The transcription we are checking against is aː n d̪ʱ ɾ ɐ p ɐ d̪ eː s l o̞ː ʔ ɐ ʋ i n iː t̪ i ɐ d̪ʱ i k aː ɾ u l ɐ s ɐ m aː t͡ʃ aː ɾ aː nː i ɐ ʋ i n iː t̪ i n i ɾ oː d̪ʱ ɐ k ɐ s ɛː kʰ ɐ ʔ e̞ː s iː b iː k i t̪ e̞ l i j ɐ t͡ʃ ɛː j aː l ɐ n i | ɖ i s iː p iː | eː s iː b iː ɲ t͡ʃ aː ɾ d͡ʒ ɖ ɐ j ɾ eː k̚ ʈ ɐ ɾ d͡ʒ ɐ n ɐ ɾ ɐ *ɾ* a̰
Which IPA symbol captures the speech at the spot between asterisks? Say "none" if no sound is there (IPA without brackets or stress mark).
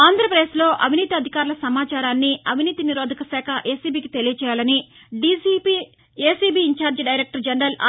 l